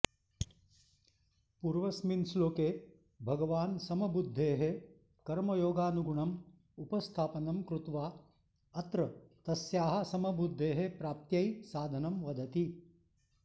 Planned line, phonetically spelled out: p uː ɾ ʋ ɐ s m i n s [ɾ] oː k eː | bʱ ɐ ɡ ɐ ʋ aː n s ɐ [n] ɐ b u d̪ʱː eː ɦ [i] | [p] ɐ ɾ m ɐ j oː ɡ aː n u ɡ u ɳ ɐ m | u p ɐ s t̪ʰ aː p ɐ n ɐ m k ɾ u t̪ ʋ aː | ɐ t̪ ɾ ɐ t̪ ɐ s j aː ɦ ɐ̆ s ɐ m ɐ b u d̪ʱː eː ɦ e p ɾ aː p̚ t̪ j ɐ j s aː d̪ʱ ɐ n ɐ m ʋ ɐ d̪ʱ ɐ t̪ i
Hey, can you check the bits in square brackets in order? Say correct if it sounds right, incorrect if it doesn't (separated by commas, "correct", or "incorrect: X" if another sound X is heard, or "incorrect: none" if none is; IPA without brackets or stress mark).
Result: incorrect: l, incorrect: m, incorrect: e, incorrect: k